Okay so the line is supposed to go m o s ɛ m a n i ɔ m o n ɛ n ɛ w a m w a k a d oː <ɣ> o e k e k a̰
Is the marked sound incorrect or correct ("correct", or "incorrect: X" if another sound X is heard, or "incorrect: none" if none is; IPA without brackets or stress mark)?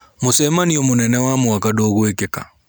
correct